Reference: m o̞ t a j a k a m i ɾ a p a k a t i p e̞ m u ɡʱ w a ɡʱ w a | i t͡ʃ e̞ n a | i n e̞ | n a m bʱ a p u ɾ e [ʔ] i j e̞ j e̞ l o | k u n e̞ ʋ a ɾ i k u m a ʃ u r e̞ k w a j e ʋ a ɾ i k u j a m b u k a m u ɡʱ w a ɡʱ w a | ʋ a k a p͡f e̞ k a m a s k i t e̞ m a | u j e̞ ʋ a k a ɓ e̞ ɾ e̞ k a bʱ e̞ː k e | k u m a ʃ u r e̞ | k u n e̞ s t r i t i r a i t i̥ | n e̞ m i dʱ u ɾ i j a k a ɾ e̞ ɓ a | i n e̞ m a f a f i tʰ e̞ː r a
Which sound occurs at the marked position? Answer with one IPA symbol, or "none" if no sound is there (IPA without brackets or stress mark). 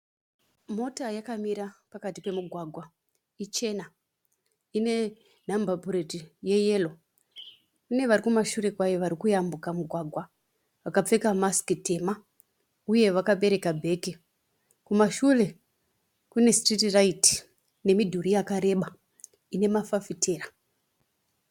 t